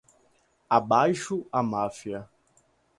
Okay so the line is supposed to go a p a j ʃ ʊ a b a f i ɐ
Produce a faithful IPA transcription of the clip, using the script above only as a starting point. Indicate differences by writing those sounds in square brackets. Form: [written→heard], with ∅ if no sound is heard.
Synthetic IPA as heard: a [p→b] a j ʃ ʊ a [b→m] a f i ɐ